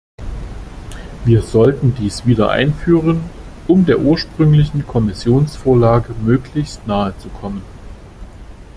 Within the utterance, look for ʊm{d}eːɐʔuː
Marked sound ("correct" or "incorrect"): correct